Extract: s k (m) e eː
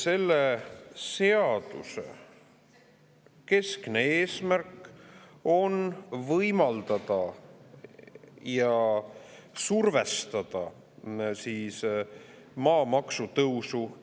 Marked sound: incorrect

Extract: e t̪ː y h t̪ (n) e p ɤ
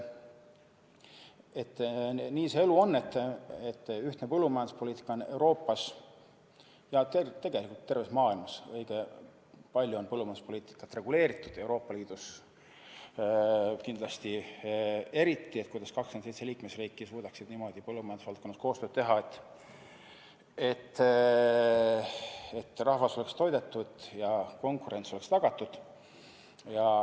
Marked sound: correct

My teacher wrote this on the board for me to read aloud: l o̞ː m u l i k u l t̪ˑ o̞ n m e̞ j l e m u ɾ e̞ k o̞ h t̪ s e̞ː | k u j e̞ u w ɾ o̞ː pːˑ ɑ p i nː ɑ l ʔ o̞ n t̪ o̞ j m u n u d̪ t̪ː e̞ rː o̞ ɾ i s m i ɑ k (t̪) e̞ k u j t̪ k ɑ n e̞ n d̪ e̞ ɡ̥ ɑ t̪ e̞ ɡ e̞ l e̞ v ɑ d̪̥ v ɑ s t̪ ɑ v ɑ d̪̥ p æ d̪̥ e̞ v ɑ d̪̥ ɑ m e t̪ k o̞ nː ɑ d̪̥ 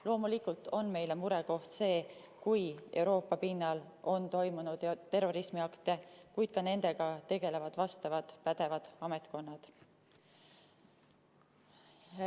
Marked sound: correct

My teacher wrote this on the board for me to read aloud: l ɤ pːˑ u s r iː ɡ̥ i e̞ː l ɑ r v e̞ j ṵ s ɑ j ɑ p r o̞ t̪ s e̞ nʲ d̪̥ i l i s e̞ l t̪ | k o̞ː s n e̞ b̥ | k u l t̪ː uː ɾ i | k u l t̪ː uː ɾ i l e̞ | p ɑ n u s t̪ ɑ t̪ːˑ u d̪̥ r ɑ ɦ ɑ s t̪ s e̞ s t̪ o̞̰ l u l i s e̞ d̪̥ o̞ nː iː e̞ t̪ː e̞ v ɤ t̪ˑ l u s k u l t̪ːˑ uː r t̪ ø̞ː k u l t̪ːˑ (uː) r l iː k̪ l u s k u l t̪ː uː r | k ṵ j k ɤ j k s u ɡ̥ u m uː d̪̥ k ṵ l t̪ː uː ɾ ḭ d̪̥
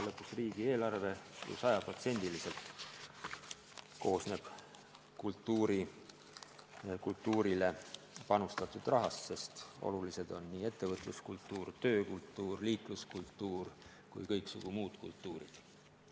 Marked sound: correct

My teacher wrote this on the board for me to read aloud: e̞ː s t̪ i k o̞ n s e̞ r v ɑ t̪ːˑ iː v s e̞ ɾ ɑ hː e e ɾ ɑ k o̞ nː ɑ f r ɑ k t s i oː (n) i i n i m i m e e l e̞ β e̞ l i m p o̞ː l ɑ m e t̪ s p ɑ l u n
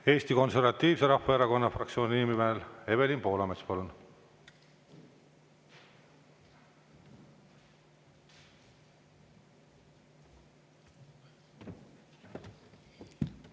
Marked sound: correct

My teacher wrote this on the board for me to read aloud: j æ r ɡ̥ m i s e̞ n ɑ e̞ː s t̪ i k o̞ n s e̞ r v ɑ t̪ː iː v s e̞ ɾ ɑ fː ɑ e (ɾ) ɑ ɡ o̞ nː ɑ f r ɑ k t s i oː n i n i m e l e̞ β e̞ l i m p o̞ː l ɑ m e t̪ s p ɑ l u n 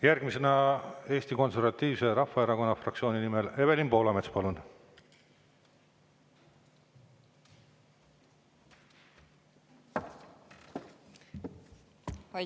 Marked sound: correct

